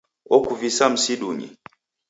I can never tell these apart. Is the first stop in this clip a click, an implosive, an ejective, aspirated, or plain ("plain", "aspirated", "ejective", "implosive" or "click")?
plain